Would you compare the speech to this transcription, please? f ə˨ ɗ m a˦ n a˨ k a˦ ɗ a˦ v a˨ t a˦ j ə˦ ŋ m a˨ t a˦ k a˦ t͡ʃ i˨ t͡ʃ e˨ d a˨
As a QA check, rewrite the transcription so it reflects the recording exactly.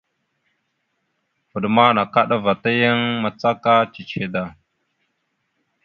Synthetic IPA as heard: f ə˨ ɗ m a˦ n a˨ k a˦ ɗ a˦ v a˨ t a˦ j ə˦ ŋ m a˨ t͡s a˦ k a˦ t͡ʃ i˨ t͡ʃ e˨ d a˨